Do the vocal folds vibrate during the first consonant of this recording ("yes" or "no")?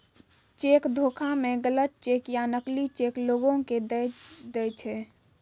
no